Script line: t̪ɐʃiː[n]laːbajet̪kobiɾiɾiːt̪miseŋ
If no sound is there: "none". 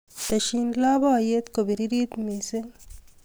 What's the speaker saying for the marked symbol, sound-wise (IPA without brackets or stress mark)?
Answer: n